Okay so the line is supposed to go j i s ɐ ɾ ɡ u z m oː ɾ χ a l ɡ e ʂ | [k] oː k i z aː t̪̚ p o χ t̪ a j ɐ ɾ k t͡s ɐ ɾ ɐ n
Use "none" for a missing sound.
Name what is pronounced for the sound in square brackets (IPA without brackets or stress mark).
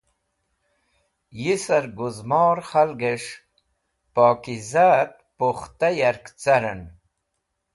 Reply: p